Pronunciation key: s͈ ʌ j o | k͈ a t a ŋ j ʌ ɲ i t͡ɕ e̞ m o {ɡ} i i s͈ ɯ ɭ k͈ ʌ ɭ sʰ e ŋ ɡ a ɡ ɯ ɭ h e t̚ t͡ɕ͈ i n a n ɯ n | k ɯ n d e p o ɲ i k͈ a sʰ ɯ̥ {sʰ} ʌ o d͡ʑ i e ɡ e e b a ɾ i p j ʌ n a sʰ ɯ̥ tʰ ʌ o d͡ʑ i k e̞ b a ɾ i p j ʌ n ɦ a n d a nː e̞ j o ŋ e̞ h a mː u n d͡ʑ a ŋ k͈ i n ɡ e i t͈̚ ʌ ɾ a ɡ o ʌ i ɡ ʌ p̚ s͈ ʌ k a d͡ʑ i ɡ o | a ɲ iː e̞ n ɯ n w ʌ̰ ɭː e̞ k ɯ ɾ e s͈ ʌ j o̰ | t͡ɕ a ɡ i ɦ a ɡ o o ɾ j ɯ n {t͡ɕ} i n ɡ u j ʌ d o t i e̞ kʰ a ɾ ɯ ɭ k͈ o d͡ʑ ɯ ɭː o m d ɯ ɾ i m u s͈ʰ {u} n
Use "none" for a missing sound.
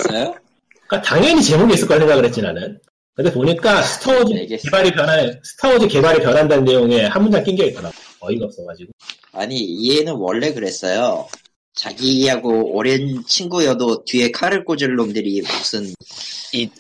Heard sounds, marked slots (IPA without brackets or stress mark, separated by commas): ɡ, tʰ, t͡ɕʰ, ɯ